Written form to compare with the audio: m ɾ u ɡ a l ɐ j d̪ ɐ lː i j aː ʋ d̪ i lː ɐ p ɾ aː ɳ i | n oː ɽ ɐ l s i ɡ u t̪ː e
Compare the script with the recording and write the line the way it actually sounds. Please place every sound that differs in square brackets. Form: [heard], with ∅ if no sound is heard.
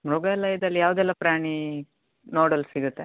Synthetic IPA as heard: m ɾ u ɡ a l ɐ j d̪ ɐ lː i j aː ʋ d̪ [ɛ] lː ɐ p ɾ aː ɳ i | n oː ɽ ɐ l s i ɡ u t̪ː e